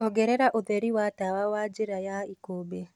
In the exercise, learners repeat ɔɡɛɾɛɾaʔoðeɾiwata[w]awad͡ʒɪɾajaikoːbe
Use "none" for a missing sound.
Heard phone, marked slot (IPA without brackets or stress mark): w